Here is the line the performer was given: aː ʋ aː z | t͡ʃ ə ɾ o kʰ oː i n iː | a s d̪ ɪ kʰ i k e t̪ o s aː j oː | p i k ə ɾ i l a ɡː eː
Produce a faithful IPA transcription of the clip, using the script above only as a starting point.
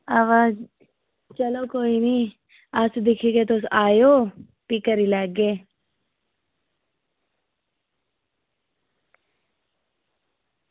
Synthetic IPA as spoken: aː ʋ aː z | t͡ʃ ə l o k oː i n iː | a s d̪ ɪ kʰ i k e t̪ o s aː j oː | p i k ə ɾ i l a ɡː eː